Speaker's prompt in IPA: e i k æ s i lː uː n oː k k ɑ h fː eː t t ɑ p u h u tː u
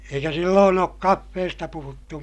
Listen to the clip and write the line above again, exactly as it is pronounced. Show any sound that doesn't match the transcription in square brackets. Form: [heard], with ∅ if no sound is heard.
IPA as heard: e i k æ s i lː [oː] n oː k k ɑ [∅] fː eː [s] t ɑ p u h u tː u

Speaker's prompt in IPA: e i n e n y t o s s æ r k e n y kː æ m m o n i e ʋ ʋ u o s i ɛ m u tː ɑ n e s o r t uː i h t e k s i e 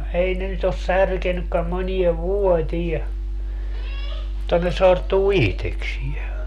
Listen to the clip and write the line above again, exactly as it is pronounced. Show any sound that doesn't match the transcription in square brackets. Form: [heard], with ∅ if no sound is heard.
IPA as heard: e i n e n y t o s s æ r k e n y kː æ m m o n i e ʋ ʋ u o [t] i ɛ m u tː ɑ n e s o r t uː i h t e k s i e

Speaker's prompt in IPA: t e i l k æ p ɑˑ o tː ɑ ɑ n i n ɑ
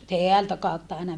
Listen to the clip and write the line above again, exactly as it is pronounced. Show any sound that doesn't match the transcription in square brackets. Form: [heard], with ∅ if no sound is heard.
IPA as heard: t e [æ] l [t] æ [k] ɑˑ [u] tː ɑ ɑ [∅] i n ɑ

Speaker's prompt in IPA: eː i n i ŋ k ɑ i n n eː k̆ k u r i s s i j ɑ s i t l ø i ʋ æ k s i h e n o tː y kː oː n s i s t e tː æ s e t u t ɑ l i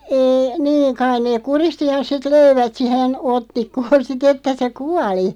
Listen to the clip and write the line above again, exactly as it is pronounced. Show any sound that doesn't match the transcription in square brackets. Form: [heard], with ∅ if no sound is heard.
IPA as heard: eː i n [iː] ŋ k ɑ i n n eː k̆ k u r i s [t] i j ɑ s i t l ø i ʋ æ [t] s i h e n o tː [i] kː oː n s i [∅] t e tː æ s e [k] u [∅] ɑ l i

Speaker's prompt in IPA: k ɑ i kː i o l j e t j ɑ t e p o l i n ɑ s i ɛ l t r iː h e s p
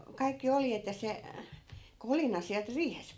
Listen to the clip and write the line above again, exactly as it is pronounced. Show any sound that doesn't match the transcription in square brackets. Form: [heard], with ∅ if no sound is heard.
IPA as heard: k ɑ i kː i o l j e t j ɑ [s] e [k] o l i n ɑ s i [æ] l t r iː h e s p

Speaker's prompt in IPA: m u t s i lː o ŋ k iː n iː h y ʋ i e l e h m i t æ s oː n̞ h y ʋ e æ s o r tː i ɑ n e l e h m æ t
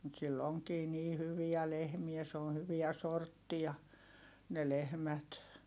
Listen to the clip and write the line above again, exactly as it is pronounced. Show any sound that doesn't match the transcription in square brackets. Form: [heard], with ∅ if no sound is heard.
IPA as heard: m u t s i lː o ŋ k iː n iː h y ʋ i [æ] l e h m i [∅] æ s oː n̞ h y ʋ [i] æ s o r tː i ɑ n e l e h m æ t

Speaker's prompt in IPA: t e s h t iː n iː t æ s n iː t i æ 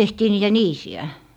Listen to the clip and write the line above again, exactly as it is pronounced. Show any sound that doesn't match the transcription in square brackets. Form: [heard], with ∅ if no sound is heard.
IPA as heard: t e [∅] h t iː n iː t æ [∅] n iː [s] i æ

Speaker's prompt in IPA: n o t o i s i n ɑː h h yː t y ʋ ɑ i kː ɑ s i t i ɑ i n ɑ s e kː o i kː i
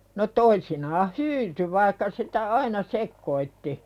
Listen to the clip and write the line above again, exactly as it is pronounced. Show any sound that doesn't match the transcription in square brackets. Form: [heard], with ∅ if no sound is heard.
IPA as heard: n o t o i s i n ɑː h h yː t y ʋ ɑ i kː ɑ s i t [æ] ɑ i n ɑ s e kː o i [tː] i

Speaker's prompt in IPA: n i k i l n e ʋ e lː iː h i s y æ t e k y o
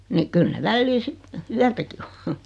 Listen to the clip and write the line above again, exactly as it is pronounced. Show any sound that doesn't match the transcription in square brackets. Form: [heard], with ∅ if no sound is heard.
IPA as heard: n i k [y] l n e ʋ [æ] lː iː [s] i [t] y æ t [æ] k [i] o

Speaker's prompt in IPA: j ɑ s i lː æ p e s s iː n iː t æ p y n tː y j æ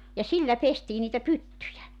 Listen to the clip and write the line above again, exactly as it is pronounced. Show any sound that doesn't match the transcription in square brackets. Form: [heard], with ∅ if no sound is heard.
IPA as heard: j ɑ s i lː æ p e s [t] iː n iː t æ p y [∅] tː y j æ

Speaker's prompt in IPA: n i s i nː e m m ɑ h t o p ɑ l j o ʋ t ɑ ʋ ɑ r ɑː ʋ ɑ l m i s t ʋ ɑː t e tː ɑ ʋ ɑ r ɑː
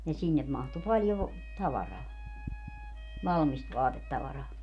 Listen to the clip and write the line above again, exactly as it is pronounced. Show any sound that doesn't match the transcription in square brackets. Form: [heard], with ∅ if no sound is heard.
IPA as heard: n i s i nː e m m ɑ h t [u] p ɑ l j o ʋ t ɑ ʋ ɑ r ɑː ʋ ɑ l m i s t ʋ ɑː t e tː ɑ ʋ ɑ r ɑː

